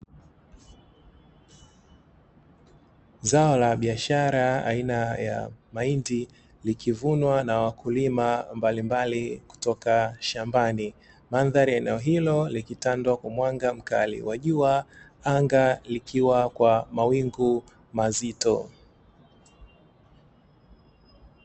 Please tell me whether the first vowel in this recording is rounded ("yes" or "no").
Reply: no